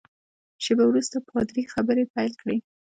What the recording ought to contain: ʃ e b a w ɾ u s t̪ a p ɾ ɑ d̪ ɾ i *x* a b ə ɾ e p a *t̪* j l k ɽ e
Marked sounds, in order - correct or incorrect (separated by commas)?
correct, incorrect